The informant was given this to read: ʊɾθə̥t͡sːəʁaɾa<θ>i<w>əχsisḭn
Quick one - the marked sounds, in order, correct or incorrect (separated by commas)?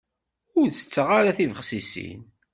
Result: correct, incorrect